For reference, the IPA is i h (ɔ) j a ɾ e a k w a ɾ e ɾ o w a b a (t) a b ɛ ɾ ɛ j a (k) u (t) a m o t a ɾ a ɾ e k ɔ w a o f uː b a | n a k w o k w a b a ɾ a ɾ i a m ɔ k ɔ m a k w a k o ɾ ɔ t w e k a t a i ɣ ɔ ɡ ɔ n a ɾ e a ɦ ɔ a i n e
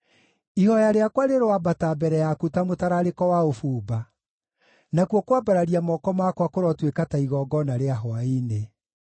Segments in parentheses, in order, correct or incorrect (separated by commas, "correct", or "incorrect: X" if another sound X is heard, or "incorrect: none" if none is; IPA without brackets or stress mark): correct, correct, correct, correct